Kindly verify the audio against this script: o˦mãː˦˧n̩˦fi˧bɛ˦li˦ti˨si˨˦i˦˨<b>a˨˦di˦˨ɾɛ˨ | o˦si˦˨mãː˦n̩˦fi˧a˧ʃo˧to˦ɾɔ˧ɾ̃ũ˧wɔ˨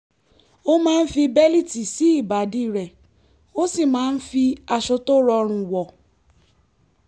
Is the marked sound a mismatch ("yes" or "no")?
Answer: no